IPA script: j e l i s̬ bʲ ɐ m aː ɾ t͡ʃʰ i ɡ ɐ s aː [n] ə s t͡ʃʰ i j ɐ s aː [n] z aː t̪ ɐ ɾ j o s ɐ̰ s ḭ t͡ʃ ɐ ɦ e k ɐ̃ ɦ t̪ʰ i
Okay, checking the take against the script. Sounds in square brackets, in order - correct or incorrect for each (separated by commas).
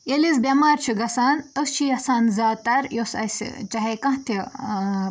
correct, correct